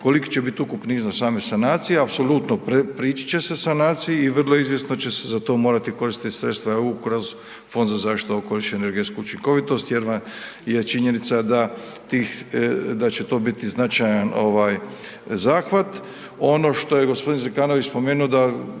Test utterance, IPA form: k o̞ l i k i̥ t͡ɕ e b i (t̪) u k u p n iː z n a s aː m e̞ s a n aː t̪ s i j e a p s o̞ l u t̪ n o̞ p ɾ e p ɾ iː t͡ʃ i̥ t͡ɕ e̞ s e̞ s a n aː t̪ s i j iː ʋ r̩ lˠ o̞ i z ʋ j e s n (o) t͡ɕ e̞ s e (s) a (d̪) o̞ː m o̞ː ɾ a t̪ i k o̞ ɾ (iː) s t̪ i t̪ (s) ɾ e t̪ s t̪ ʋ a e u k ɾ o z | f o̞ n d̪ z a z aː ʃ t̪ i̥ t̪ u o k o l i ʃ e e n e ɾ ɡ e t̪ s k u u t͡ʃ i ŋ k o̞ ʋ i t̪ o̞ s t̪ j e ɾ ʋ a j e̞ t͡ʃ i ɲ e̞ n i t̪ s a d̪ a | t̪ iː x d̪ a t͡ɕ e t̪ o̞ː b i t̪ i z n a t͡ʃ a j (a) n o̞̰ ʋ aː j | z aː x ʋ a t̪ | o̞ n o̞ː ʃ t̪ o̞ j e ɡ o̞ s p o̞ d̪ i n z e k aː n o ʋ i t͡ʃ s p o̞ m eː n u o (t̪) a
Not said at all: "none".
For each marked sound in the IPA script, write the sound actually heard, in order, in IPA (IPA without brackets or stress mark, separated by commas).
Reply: t̪, o, z, t̪, i, s, a, d̪